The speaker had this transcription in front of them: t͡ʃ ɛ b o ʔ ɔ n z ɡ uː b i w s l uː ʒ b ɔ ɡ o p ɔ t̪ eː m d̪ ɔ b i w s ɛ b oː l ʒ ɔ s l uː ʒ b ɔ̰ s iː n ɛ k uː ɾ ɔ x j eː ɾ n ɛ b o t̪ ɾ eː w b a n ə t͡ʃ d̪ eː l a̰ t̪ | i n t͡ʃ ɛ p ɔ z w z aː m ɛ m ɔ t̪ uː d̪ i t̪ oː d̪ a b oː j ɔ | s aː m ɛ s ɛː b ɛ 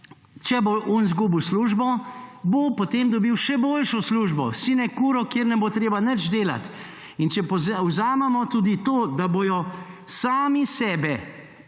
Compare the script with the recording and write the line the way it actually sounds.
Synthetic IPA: t͡ʃ ɛ b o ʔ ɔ n z ɡ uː b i w s l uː ʒ b ɔ b o p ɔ t̪ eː m d̪ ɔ b i w ʃ ɛ b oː l ʃ ɔ s l uː ʒ b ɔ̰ s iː n ɛ k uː ɾ ɔ k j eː ɾ n ɛ b o t̪ ɾ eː b a n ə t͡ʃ d̪ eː l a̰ t̪ | i n t͡ʃ ɛ p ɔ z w z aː m ɛ m ɔ t̪ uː d̪ i t̪ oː d̪ a b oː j ɔ | s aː m i s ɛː b ɛ